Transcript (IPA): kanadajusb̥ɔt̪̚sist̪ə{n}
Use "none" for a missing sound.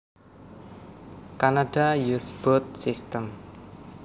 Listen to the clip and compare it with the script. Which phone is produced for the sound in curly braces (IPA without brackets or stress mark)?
m